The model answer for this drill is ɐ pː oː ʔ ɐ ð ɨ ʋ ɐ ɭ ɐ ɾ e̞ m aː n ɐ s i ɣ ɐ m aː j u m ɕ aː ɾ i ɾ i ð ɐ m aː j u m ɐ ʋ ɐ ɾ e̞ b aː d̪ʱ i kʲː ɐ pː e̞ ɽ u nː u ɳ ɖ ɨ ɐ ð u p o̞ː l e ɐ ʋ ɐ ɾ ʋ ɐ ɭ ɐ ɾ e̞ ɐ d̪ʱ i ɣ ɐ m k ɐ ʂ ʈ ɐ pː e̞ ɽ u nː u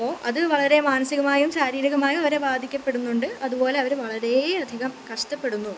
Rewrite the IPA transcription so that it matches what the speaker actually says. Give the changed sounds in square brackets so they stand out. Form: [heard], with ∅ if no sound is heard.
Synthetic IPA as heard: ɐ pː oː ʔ ɐ ð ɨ ʋ ɐ ɭ ɐ ɾ e̞ m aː n ɐ s i ɣ ɐ m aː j u m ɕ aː ɾ [iː] ɾ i [ɣ] ɐ m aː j u m ɐ ʋ ɐ ɾ e̞ b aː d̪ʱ i kʲː ɐ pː e̞ ɽ u nː u ɳ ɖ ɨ ɐ ð u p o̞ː l e ɐ ʋ ɐ ɾ ʋ ɐ ɭ ɐ ɾ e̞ ɐ d̪ʱ i ɣ ɐ m k ɐ ʂ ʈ ɐ pː e̞ ɽ u nː u